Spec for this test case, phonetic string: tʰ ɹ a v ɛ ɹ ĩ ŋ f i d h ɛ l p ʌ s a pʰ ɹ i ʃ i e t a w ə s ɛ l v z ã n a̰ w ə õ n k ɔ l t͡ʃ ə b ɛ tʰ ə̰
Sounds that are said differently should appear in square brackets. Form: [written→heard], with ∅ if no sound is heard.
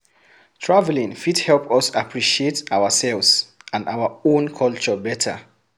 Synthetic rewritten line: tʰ ɹ a v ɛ [ɹ→l] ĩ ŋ f i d h ɛ l p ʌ s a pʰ ɹ i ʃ i e t a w ə s ɛ l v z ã n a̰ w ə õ n [k→kʰ] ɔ l t͡ʃ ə b ɛ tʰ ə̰